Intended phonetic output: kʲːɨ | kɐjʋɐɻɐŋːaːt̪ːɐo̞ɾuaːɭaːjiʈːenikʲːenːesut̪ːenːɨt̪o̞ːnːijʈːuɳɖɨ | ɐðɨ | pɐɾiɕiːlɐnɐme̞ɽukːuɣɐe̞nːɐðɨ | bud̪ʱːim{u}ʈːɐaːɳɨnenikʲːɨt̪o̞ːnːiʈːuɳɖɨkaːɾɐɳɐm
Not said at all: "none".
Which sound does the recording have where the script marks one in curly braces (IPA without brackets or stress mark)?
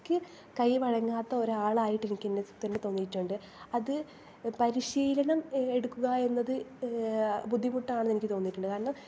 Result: u